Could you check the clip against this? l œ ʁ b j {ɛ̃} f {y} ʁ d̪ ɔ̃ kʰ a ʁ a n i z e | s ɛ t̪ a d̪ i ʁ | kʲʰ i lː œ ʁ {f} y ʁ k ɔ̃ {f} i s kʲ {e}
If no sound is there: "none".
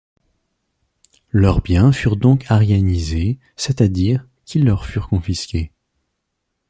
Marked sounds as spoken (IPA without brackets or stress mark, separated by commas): ɛ̃, y, f, f, e